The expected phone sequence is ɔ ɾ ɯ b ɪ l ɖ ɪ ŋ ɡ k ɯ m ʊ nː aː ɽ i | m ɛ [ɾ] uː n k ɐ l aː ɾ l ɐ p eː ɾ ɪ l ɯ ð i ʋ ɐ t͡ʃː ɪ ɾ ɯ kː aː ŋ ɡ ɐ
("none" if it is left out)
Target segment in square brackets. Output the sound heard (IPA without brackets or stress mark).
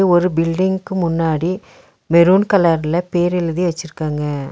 ɾ